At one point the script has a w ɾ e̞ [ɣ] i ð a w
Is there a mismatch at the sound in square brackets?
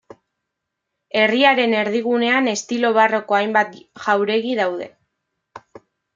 no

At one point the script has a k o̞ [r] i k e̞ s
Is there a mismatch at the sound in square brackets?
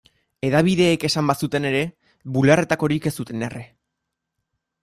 yes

